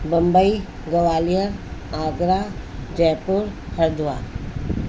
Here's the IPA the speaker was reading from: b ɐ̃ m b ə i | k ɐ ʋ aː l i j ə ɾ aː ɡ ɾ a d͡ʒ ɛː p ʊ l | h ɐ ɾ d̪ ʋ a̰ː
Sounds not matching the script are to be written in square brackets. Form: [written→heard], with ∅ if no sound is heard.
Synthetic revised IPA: b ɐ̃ m b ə i | [k→ɡ] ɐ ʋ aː l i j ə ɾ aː ɡ ɾ a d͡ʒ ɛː p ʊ [l→ɾ] | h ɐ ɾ d̪ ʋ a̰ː